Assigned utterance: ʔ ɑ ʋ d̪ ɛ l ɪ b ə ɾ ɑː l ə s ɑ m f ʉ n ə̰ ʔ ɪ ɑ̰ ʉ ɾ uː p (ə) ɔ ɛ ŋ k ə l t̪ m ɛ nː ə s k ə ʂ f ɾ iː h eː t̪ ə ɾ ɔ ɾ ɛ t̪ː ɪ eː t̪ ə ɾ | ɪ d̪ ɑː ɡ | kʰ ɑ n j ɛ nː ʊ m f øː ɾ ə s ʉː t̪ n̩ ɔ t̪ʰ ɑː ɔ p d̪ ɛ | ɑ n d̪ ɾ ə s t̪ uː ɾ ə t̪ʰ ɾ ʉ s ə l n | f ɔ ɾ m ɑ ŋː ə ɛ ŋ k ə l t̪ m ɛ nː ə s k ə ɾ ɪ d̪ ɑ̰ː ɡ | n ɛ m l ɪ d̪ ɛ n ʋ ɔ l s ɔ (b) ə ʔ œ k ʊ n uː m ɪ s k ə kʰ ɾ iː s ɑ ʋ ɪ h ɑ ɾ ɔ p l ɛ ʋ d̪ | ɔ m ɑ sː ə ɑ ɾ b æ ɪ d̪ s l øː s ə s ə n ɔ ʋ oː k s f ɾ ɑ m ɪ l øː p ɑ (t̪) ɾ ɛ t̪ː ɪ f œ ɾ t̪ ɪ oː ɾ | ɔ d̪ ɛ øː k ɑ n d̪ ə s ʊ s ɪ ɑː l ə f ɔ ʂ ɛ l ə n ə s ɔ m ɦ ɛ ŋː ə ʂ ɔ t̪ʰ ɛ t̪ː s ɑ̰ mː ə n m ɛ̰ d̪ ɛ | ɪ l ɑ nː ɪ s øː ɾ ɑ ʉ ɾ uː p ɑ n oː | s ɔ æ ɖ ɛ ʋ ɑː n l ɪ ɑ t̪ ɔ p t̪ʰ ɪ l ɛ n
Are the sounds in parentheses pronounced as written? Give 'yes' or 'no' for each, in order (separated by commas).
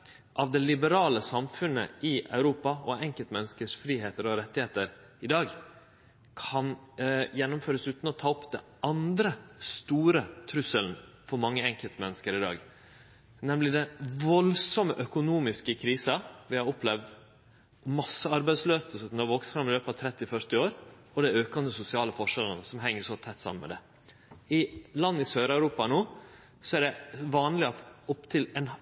no, no, no